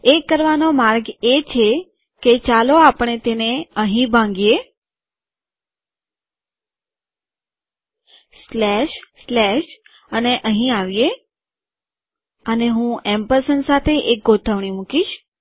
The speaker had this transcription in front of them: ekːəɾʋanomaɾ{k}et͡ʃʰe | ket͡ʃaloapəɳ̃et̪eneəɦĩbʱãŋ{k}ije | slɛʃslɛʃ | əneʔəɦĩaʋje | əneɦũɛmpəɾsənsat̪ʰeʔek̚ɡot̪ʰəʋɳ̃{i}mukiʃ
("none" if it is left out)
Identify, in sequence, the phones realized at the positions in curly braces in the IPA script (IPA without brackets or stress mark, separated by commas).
ɡ, ɡ, i